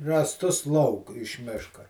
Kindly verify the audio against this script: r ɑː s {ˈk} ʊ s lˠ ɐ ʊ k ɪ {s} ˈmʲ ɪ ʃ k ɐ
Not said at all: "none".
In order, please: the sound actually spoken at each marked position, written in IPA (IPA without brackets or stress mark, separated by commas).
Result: t, ʃ